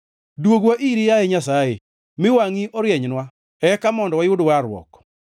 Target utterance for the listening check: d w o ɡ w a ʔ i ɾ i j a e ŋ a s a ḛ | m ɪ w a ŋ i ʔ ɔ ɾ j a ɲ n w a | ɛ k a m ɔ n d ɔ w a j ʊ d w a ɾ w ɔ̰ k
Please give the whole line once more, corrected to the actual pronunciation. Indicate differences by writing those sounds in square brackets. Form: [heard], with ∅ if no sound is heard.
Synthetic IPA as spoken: d w o ɡ w a ʔ i ɾ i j a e [ɲ] a s a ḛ | m ɪ w a ŋ i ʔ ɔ ɾ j [ɛ] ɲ n w a | ɛ k a m ɔ n d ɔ w a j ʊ d w a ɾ w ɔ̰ k